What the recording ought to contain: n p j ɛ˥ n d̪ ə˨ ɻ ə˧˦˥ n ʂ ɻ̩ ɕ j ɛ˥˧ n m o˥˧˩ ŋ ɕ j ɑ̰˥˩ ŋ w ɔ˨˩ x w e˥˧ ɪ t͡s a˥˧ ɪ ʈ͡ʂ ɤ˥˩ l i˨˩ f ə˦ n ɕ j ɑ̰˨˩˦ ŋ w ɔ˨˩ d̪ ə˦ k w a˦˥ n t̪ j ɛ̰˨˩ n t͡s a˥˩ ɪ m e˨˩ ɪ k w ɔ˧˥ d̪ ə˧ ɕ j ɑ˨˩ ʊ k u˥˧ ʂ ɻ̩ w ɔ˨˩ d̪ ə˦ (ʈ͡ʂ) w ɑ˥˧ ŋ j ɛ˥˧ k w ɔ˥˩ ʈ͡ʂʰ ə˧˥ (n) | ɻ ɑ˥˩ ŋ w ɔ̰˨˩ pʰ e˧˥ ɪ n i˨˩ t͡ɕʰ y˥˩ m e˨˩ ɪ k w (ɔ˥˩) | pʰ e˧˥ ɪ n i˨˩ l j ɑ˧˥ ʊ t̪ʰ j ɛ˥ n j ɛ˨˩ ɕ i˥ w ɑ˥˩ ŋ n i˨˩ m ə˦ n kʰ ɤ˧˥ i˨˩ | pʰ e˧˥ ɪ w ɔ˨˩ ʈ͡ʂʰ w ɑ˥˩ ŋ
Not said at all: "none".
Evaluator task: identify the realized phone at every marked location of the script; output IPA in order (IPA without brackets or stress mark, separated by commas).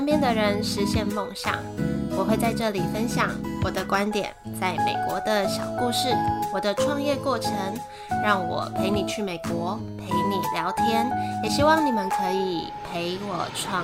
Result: ʈ͡ʂʰ, ŋ, ɔ˧˥